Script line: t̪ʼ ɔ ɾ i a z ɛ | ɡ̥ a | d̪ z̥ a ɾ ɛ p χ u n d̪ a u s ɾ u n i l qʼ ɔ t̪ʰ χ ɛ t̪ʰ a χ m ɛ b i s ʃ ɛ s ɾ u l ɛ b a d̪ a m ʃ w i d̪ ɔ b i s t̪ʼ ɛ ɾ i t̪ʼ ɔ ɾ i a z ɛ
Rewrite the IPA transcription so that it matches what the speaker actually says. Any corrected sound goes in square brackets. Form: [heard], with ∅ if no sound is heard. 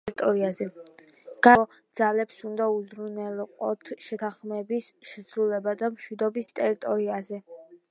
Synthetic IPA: t̪ʼ ɔ ɾ i a z ɛ | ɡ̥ a | d̪ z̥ a [l] ɛ p [s] u n d̪ a u [z] ɾ u n [ɛ] l qʼ ɔ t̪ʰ [ʃ] ɛ t̪ʰ a χ m ɛ b i s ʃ ɛ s ɾ u l ɛ b a d̪ a m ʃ w i d̪ ɔ b i s t̪ʼ ɛ ɾ i t̪ʼ ɔ ɾ i a z ɛ